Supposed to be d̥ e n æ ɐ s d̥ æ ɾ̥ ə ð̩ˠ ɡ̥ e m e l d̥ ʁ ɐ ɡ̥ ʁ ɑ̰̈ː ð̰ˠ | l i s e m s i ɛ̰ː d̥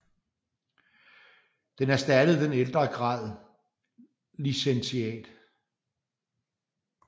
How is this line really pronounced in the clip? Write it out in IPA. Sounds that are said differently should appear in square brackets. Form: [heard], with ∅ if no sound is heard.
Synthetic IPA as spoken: d̥ e n æ ɐ s d̥ æ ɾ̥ ə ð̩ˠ [d̥] e [n] e l d̥ ʁ ɐ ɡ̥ ʁ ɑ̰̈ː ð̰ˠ | l i s e [n] s i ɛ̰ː d̥